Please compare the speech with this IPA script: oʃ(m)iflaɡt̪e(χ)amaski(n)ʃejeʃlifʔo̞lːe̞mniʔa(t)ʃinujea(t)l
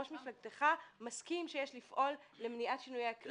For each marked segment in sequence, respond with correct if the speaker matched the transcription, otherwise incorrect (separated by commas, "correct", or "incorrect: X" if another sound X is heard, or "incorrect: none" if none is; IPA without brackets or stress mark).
correct, correct, incorrect: m, correct, incorrect: k